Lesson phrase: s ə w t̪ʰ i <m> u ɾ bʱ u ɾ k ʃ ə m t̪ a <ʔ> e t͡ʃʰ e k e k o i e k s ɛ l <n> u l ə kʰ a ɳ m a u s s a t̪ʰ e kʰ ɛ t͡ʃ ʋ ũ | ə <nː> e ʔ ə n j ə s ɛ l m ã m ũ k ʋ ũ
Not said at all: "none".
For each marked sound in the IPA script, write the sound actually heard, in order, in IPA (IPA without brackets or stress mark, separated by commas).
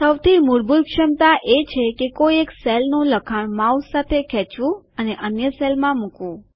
m, ʔ, n, n